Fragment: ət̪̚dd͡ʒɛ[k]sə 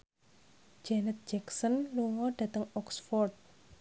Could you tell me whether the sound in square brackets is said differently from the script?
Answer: no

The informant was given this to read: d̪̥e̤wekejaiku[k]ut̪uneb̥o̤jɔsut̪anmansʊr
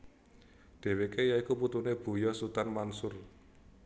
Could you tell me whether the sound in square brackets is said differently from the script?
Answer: yes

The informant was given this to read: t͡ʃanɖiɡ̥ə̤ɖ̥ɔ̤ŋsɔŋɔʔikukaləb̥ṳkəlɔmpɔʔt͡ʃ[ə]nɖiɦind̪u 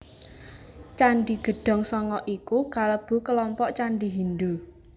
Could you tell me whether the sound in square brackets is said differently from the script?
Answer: yes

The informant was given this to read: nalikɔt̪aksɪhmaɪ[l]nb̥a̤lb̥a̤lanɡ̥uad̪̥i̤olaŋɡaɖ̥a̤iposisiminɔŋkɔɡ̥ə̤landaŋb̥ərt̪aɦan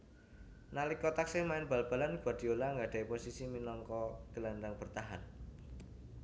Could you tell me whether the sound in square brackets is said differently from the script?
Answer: yes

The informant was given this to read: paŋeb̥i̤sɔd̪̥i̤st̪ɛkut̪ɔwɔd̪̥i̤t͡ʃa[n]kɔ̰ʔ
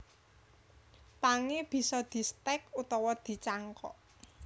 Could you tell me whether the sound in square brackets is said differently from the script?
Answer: yes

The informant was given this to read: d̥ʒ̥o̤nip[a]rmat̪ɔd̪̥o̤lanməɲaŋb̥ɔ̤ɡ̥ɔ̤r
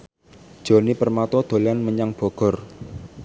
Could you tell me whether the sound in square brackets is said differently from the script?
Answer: yes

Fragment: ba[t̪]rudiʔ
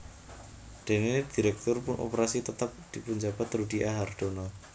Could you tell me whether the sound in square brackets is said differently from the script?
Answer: no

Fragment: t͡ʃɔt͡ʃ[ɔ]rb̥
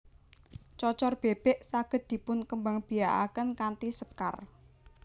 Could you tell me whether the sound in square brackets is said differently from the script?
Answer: no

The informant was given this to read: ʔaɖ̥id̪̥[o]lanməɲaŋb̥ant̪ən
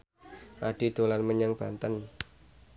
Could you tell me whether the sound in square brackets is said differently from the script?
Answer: no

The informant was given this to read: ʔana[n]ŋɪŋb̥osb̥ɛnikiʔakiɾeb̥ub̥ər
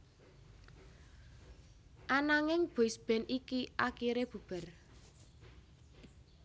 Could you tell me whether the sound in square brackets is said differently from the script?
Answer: yes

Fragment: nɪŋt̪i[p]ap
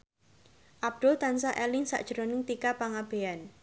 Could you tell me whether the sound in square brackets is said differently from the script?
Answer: yes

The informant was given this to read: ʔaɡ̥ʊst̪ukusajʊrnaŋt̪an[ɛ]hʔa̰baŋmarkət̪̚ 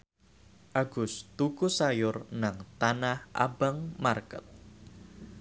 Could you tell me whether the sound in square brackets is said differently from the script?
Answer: yes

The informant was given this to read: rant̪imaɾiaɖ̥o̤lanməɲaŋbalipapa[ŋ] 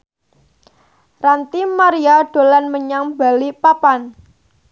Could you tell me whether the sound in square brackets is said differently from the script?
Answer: yes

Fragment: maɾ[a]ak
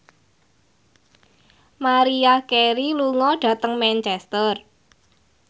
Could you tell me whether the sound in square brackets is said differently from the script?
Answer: yes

